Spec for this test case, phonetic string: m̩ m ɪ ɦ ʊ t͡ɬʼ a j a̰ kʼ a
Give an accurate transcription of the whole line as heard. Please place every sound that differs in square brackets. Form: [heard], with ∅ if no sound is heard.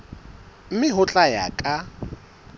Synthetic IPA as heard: m̩ m ɪ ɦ ʊ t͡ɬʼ a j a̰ kʼ a

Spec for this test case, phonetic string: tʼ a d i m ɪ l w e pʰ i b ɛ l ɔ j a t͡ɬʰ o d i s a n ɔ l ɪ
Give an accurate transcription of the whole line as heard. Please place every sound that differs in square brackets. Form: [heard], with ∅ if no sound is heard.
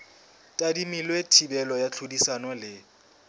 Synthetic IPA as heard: tʼ a d i m [i] l w e [tʰ] i b ɛ l ɔ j a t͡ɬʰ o d i s a n ɔ l ɪ

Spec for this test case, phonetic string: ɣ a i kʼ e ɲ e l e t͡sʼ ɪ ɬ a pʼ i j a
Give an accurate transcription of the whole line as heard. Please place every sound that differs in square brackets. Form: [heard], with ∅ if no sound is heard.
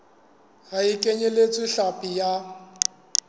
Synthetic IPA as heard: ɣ a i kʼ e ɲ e l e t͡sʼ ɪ ɬ a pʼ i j a

